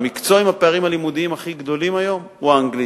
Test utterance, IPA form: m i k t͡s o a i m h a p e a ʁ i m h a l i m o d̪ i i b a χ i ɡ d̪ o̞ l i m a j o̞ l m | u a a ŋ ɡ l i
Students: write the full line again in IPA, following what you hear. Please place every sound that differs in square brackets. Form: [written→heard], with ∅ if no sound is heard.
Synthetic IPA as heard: m i k t͡s o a i m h a p e a ʁ i m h a l i m [o→u] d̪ i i [b→m] a χ i ɡ d̪ o̞ l i m a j o̞ [l→∅] m | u a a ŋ ɡ l i